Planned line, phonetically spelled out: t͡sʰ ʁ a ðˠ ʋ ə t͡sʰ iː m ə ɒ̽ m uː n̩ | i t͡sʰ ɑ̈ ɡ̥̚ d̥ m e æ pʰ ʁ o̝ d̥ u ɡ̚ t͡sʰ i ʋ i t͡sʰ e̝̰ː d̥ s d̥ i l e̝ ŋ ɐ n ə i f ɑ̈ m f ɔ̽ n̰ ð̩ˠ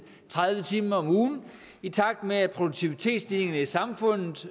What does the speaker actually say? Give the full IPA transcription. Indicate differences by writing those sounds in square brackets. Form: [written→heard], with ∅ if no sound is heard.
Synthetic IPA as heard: t͡sʰ ʁ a ðˠ ʋ ə t͡sʰ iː m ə ɒ̽ m uː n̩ | i t͡sʰ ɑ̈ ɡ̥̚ d̥ m e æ pʰ ʁ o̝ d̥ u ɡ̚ t͡sʰ i ʋ i t͡sʰ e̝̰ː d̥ s d̥ i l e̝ ŋ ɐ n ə i [f→s] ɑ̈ m f ɔ̽ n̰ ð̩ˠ

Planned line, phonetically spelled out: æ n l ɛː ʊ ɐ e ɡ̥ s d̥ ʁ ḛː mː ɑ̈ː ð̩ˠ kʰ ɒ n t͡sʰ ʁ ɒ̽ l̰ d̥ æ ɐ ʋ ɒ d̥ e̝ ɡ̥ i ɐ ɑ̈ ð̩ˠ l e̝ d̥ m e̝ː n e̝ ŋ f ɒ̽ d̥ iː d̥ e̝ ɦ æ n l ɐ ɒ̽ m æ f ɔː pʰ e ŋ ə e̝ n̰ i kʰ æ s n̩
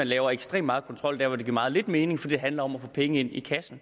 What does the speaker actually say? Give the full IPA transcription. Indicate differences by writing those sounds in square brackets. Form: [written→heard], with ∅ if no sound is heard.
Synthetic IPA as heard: æ n l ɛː ʊ ɐ e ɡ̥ s d̥ ʁ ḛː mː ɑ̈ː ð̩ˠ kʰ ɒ n t͡sʰ ʁ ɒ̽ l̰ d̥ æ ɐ ʋ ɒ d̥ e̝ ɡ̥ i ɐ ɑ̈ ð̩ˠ l e̝ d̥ m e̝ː n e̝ ŋ f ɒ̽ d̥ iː d̥ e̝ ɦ æ n l ɐ ɒ̽ m æ f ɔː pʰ e ŋ ə e̝ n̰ i kʰ æ s n̩

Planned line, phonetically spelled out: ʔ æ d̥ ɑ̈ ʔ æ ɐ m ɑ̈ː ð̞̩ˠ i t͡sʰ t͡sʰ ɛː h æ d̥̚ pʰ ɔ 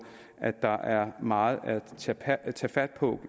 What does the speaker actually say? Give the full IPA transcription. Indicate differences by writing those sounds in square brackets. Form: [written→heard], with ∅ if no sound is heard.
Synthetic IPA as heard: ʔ æ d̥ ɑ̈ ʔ æ ɐ m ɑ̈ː ð̞̩ˠ [i→æ] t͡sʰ t͡sʰ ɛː [h→f] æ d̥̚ pʰ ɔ

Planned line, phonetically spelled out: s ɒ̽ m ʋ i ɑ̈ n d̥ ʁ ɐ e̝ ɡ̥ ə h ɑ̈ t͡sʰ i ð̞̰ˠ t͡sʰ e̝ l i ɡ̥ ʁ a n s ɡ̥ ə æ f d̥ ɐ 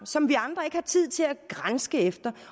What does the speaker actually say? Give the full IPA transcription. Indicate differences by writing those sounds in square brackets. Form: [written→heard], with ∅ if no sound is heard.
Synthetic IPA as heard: s ɒ̽ m ʋ i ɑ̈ n d̥ ʁ ɐ e̝ ɡ̥ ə h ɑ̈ t͡sʰ i ð̞̰ˠ t͡sʰ e̝ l [i→æ] ɡ̥ ʁ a n s ɡ̥ ə [æ→e] f d̥ ɐ

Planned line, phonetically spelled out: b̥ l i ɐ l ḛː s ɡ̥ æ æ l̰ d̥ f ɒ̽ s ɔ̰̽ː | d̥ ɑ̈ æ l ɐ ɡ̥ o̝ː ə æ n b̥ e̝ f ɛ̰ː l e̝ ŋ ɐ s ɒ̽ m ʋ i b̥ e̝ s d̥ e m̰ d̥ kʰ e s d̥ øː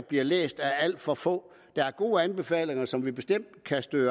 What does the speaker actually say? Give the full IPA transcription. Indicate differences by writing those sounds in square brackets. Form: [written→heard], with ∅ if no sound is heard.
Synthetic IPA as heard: b̥ l i ɐ l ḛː s [ɡ̥→d̥] æ æ l̰ d̥ f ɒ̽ [s→f] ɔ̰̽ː | d̥ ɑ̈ æ [l→∅] ɐ ɡ̥ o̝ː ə æ n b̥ e̝ f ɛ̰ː l e̝ ŋ ɐ s ɒ̽ m ʋ i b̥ e̝ s d̥ e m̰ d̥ kʰ [e→æ] s d̥ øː

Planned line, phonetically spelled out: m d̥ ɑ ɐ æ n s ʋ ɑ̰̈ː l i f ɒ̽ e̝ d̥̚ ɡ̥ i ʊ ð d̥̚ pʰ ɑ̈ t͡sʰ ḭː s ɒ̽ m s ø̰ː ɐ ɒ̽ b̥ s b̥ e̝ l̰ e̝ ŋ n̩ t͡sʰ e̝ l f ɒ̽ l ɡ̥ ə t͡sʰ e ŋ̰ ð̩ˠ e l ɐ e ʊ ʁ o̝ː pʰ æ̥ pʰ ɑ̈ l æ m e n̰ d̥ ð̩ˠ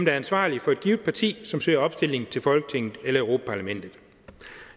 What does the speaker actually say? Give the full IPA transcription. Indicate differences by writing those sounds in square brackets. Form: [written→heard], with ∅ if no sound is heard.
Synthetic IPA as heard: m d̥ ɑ ɐ æ n s ʋ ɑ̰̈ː l i f ɒ̽ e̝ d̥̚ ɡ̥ i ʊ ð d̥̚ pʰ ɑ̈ t͡sʰ ḭː s ɒ̽ m s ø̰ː ɐ ɒ̽ b̥ s [b̥→d̥] e̝ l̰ e̝ ŋ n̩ t͡sʰ e̝ l f ɒ̽ l ɡ̥ ə t͡sʰ e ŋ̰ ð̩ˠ e l ɐ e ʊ ʁ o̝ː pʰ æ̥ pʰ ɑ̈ l æ m e n̰ d̥ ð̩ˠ

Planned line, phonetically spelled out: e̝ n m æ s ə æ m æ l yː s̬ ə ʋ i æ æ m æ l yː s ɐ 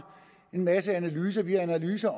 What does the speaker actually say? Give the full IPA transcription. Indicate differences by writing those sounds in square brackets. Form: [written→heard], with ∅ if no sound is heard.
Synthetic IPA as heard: e̝ n m æ s ə æ [m→n] æ l yː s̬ [ə→ɐ] ʋ i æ æ [m→n] æ l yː s ɐ

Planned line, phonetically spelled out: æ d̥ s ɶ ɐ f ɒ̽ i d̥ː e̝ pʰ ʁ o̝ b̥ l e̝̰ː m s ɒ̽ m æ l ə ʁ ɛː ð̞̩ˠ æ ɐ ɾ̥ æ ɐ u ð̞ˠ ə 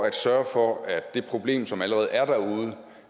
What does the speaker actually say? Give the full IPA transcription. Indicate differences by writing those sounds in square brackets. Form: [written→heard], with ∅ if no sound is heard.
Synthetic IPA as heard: æ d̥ s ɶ ɐ f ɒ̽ [i→æ] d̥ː e̝ pʰ ʁ o̝ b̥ l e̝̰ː m s ɒ̽ m æ l ə ʁ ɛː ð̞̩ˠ æ ɐ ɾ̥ æ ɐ u ð̞ˠ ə

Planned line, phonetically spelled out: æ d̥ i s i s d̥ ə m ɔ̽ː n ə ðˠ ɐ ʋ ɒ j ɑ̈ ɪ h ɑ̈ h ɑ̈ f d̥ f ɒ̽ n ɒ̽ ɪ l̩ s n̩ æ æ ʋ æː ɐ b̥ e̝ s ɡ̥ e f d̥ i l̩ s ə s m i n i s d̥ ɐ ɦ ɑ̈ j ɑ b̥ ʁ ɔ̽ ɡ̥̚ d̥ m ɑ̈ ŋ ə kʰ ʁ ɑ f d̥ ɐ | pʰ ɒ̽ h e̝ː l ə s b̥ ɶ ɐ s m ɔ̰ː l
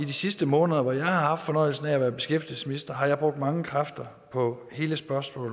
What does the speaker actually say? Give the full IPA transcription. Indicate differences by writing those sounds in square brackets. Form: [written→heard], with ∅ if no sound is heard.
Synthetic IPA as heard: [æ→i] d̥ i s i s d̥ ə m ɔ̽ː n ə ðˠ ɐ ʋ ɒ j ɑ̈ ɪ h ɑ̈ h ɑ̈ f d̥ f ɒ̽ n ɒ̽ ɪ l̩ s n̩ æ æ ʋ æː ɐ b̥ e̝ s ɡ̥ e f d̥ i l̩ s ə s m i n i s d̥ ɐ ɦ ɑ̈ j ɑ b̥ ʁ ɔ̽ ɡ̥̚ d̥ m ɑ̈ ŋ ə kʰ ʁ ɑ f d̥ ɐ | pʰ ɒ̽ h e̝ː l ə s b̥ ɶ ɐ s m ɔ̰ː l

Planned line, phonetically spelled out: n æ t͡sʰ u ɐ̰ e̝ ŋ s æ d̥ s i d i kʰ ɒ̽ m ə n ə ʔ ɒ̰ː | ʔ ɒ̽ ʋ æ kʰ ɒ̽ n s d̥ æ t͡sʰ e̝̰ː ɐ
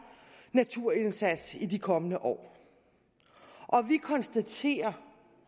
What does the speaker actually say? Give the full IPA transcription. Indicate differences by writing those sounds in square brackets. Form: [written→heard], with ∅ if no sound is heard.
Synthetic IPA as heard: n æ t͡sʰ u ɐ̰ e̝ [ŋ→n] s æ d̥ s i d i kʰ ɒ̽ m ə n ə ʔ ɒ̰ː | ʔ ɒ̽ ʋ [æ→i] kʰ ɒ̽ n s d̥ æ t͡sʰ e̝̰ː ɐ

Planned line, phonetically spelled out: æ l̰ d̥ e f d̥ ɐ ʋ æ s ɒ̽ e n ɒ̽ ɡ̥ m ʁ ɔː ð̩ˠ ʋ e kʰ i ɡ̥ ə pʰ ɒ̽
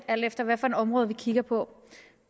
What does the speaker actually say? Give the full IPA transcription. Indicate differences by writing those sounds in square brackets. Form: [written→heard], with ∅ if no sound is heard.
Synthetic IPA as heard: æ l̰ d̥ e f d̥ ɐ ʋ æ [s→f] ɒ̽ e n ɒ̽ [ɡ̥→∅] m ʁ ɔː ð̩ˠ ʋ [e→i] kʰ i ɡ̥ [ə→ɐ] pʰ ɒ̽

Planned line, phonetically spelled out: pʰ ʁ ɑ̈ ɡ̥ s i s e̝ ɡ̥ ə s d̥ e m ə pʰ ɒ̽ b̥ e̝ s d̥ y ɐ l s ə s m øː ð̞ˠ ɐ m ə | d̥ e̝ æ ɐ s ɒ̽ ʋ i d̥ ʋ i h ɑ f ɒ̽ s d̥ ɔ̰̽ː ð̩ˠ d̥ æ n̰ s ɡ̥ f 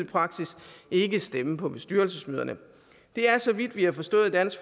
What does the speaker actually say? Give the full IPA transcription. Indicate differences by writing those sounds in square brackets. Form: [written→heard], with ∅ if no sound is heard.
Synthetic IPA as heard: pʰ ʁ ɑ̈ ɡ̥ s i s e̝ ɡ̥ ə s d̥ e m ə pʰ ɒ̽ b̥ e̝ s d̥ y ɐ l s ə s m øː ð̞ˠ ɐ [m→n] ə | d̥ e̝ æ ɐ s ɒ̽ ʋ i d̥ ʋ i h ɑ f ɒ̽ s d̥ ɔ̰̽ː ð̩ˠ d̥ æ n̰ s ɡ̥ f

